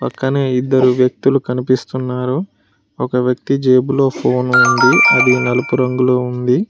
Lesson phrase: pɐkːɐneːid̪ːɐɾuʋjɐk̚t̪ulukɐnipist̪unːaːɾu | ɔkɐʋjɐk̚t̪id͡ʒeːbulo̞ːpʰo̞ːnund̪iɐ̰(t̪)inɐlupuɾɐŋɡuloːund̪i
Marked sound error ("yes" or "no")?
yes